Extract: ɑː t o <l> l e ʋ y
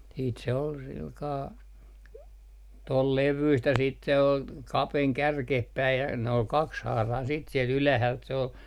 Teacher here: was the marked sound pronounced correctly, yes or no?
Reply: yes